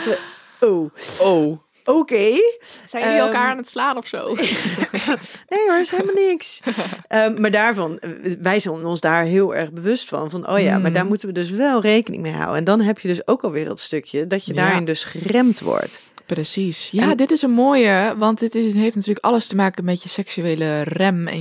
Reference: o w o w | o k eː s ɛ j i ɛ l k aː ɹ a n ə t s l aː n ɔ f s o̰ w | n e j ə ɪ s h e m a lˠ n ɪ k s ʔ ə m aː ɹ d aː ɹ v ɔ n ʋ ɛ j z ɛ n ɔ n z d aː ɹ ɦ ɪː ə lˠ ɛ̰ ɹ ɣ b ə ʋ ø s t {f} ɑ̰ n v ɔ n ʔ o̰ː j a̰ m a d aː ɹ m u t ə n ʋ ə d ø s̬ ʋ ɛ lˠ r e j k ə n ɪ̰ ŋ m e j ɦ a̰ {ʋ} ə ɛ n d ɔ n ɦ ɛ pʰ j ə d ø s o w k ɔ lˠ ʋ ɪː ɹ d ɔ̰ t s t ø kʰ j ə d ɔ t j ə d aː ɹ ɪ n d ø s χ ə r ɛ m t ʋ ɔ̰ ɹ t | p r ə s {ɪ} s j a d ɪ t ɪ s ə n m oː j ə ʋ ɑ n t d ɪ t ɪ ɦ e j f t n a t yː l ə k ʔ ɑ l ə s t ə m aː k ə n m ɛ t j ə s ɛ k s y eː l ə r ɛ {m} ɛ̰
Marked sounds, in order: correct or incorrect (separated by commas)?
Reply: correct, incorrect, incorrect, correct